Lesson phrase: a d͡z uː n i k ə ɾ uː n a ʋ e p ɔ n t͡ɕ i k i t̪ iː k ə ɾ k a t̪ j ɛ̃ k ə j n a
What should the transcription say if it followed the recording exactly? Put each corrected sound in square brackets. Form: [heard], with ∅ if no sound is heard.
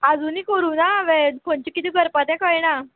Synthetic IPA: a d͡z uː n i k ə ɾ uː n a ʋ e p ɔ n t͡ɕ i k i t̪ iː [ɡ] ə ɾ [p] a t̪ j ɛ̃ k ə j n a